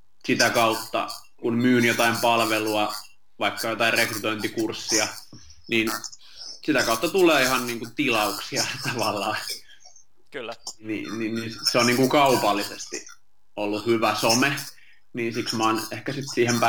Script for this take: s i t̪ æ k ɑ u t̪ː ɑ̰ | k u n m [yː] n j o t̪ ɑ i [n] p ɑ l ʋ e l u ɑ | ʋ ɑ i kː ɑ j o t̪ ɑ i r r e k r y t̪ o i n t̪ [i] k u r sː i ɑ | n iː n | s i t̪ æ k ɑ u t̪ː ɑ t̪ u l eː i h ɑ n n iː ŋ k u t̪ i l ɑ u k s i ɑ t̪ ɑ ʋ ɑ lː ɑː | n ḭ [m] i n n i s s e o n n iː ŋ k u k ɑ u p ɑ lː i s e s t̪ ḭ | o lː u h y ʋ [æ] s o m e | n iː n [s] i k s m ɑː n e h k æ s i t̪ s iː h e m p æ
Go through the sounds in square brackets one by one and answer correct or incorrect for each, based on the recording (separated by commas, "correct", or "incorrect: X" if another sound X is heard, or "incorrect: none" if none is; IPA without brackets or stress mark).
correct, incorrect: m, correct, incorrect: n, correct, correct